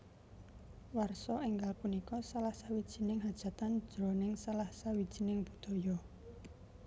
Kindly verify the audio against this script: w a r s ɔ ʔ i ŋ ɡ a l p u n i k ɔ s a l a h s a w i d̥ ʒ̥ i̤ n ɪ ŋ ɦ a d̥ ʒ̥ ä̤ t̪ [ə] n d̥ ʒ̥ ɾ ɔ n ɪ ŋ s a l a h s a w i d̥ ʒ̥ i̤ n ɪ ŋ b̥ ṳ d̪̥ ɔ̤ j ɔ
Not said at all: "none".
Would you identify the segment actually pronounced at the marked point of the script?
a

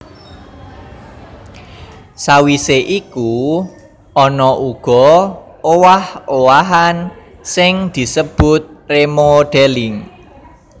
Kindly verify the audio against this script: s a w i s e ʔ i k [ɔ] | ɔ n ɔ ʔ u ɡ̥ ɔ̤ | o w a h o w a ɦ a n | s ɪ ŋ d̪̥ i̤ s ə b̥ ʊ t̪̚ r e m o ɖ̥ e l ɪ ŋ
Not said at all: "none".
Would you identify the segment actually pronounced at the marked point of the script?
u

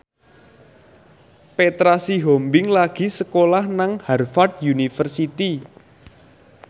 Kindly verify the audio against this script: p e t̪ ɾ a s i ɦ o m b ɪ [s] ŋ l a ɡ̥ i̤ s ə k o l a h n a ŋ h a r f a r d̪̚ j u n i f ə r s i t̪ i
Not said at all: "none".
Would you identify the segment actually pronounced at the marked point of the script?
none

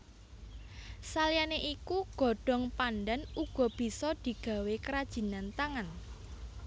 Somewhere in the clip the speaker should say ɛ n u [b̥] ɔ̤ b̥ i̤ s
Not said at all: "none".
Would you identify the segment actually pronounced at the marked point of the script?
ɡ̥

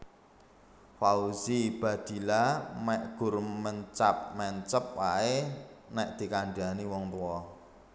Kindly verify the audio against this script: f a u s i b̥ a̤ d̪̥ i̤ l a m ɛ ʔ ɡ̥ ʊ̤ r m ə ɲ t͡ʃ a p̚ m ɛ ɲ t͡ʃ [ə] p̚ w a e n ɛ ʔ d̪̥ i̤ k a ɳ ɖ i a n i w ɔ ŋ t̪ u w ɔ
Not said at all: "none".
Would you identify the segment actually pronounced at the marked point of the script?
ə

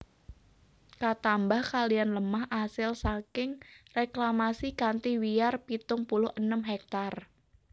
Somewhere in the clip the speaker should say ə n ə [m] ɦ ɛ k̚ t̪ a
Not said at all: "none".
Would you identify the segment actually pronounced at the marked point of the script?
m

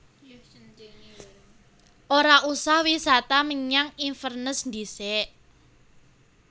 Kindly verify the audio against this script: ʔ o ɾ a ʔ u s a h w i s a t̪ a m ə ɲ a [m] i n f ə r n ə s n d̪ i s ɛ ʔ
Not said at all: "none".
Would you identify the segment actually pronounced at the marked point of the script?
ŋ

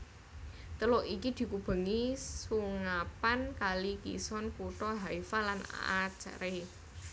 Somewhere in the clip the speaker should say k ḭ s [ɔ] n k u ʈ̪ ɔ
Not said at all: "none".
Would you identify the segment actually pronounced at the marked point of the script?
ɔ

